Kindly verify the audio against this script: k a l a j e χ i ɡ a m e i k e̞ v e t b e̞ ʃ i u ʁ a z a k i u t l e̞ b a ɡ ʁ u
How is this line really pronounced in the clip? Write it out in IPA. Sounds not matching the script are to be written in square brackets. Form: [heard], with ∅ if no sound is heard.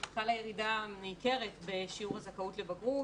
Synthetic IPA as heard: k a l a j e [ʁ] i [d] a m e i k e̞ [ʁ] e t b e̞ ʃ i u ʁ a z a k [a] u t l e̞ b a ɡ ʁ u

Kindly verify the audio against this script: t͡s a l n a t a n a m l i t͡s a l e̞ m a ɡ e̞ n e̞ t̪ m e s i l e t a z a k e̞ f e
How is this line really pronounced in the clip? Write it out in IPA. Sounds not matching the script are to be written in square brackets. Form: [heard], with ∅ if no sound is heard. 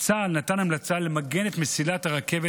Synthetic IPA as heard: t͡s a l n a t a n a m l [a] t͡s a l e̞ m a ɡ e̞ n e̞ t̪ m e s i l [a] t a [ʁ] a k e̞ [v] e

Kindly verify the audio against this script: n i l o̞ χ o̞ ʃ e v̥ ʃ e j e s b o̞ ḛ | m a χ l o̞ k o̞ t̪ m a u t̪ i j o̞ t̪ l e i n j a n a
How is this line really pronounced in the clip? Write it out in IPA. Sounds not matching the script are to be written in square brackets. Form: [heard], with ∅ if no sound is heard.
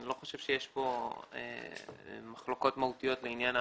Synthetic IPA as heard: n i l o̞ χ o̞ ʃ e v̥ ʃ e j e [ʃ] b o̞ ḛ | m a χ l o̞ k o̞ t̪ m a u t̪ i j o̞ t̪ l e i n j a n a

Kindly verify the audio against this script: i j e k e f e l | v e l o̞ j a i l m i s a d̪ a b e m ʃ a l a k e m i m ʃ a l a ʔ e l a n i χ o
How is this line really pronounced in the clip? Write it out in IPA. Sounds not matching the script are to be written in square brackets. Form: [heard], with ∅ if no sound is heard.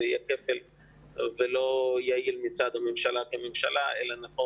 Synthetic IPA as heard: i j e k e f e l | v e l o̞ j a i l m i [t͡s] a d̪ a [m] e m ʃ a l a k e m [e] m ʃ a l a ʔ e l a n [a] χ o

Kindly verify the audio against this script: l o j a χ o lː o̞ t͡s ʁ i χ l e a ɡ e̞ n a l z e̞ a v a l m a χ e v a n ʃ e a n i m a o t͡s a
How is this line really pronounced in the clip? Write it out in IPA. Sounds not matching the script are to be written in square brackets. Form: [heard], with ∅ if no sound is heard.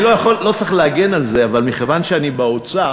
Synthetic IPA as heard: l o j a χ o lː o̞ t͡s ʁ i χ l e a ɡ e̞ n a l z e̞ a v a l m [i] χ e v a n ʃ e a n i [b] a o t͡s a

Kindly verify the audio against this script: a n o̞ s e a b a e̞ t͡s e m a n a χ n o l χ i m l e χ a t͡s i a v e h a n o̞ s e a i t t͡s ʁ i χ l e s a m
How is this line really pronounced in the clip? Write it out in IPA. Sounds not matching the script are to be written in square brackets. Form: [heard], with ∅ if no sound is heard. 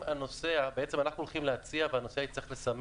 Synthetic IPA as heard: a n o̞ s e a b [e] e̞ t͡s e m a n a χ n [u] l χ i m l e [∅] a t͡s i a v e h a n o̞ s e a i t t͡s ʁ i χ l e s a m

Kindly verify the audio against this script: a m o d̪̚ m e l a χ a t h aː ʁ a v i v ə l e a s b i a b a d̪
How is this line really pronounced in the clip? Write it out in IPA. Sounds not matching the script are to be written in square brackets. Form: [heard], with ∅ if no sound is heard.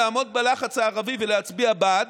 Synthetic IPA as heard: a m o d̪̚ [b] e l a χ a [t͡s] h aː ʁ a v i v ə l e a [t͡s] b i a b a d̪

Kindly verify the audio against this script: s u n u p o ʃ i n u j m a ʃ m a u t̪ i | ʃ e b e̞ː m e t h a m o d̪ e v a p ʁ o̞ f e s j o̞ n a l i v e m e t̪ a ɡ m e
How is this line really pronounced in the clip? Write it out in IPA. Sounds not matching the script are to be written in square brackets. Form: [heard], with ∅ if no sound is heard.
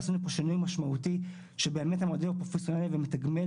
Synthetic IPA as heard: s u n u p o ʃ i n u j m a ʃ m a u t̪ i | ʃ e b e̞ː m e t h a m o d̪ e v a p ʁ o̞ f e s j o̞ n a l i v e m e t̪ a ɡ m e

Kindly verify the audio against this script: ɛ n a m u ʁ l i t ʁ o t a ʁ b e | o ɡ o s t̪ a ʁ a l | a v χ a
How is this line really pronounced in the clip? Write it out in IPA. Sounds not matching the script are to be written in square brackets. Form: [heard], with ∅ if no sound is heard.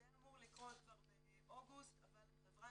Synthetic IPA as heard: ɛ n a m u ʁ l i [k] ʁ o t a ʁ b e | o ɡ [u] s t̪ a [v] a l | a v [ʁ] a

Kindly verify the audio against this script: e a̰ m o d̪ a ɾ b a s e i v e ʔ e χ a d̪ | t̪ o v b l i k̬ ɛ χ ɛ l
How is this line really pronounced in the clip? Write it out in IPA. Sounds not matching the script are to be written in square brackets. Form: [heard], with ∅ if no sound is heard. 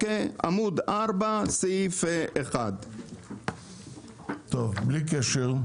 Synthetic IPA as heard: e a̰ m [u] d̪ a ɾ b a s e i [f] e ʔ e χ a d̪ | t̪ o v b l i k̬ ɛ [ʃ] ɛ l

